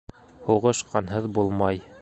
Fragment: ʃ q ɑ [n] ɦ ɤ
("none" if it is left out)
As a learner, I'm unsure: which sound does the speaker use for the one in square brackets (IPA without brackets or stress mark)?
n